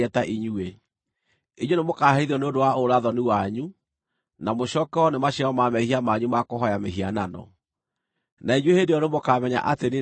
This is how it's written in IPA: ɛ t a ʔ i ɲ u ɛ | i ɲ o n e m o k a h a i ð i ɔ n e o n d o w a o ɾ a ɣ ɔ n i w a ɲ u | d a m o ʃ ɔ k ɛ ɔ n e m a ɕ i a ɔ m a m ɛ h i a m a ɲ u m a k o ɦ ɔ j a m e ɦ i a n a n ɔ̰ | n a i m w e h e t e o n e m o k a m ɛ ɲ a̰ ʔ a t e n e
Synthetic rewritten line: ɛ t a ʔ i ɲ u e | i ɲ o n e m o k a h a i ð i ɔ n e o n d o w a o ɾ a ð ɔ n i w a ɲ u | n a m o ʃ ɔ k ɛ ɔ n e m a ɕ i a ɔ m a m ɛ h i a m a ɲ u m a k o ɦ ɔ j a m e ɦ i a n a n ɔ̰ | n a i ɲ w e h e d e ɔ n e m o k a m ɛ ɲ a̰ ʔ a t e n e